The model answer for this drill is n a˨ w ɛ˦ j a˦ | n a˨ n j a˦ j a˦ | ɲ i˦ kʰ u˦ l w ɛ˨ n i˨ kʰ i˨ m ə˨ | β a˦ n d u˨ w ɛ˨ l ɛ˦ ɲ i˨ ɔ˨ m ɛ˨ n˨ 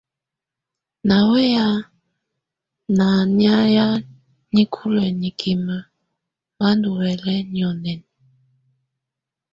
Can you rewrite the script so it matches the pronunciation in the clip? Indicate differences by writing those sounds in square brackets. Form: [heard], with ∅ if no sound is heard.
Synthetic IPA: n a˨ w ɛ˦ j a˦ | n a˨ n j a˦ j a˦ | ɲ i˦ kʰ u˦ l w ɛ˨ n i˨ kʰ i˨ m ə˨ | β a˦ n d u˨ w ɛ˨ l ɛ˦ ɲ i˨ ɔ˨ [n] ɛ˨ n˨